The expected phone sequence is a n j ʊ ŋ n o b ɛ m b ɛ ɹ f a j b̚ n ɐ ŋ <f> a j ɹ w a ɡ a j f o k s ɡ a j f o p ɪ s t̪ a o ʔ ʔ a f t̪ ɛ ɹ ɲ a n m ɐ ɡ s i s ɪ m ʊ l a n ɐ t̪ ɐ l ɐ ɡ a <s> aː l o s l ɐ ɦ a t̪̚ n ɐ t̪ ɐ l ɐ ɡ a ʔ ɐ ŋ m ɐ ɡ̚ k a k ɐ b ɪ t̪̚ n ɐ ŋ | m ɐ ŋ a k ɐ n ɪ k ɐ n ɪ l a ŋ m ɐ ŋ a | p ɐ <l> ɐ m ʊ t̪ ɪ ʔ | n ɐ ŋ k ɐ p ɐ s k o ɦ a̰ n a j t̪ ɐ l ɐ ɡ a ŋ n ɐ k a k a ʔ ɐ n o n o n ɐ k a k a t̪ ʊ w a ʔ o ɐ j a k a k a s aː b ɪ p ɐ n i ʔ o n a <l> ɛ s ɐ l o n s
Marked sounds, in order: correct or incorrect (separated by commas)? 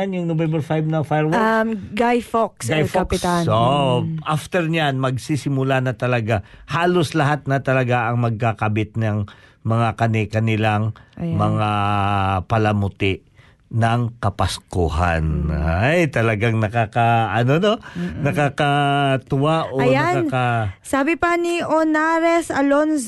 correct, incorrect, correct, incorrect